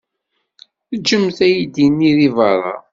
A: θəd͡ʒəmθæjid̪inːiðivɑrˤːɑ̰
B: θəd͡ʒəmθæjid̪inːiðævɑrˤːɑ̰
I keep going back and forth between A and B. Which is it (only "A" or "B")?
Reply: A